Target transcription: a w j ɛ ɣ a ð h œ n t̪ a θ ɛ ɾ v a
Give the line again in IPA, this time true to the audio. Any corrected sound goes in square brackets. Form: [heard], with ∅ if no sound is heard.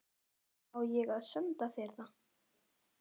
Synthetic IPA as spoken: a w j ɛ ɣ a ð [s] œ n t̪ a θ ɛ ɾ [ð] a